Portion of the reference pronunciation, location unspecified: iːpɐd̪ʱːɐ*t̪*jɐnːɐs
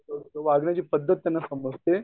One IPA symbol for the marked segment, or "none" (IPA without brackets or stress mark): t̪